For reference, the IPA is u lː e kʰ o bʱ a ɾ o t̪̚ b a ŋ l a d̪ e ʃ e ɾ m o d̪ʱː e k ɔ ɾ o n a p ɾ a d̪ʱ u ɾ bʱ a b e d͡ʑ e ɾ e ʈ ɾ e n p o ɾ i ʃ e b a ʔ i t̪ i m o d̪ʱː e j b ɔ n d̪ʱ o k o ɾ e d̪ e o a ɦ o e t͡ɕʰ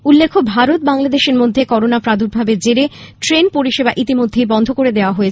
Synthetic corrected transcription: u lː e kʰ o bʱ a ɾ o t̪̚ b a ŋ l a d̪ e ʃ e ɾ m o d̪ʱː e k ɔ ɾ o n a p ɾ a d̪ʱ u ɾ bʱ a b e d͡ʑ e ɾ e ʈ ɾ e n p o ɾ i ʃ e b a ʔ i t̪ i m o d̪ʱː e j b ɔ n d̪ʱ o k o ɾ e d̪ e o a ɦ o e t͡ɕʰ